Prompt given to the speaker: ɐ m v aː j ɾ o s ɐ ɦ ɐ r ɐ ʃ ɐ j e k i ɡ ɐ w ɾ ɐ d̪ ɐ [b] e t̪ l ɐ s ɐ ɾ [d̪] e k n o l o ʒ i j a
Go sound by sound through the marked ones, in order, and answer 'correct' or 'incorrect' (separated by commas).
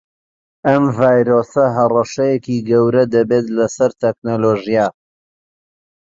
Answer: correct, incorrect